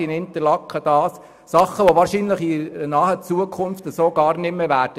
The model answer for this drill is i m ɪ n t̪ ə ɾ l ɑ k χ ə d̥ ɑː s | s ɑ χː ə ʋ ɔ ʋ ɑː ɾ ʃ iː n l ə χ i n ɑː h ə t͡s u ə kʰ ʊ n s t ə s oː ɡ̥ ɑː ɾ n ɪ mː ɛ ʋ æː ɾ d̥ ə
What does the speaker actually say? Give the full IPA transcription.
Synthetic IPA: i n ɪ n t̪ ə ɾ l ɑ k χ ə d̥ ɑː s | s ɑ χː ə ʋ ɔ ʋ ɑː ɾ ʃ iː n l ə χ i n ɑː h ə t͡s u ə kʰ ʊ n f t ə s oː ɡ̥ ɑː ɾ n ɪ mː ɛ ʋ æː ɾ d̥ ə